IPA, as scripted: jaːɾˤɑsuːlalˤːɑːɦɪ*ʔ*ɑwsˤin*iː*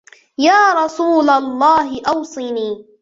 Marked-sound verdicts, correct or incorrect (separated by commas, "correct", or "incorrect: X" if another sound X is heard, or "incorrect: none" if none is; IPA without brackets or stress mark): correct, correct